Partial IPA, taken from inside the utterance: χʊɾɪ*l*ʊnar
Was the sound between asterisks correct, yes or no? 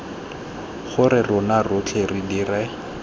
no